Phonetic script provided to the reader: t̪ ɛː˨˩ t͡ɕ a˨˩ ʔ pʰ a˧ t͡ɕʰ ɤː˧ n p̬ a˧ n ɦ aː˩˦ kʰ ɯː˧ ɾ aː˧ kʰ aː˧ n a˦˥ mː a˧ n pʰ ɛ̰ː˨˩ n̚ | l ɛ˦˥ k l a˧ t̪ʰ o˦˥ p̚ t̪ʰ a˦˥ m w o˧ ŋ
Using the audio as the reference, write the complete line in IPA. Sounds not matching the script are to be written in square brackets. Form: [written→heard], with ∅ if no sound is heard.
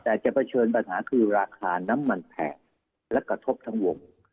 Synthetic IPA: t̪ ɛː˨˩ t͡ɕ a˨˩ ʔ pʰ a˧ t͡ɕʰ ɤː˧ n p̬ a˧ n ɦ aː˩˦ kʰ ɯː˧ ɾ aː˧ kʰ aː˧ n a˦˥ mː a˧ n pʰ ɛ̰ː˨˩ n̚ | l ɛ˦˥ k [l→ɾ] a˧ t̪ʰ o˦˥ p̚ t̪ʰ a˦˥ [m→ŋ] w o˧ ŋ